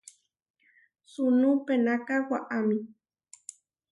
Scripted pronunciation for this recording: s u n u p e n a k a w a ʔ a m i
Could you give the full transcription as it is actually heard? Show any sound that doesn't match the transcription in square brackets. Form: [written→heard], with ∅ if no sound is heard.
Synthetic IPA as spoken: s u n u p e n a k a w a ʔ a m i